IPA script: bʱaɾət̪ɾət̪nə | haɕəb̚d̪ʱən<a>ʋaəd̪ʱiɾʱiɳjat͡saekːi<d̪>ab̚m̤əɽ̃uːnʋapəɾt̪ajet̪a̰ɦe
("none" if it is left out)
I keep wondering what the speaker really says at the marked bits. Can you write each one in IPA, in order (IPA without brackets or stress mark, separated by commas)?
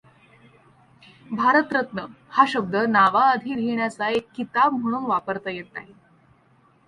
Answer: a, t̪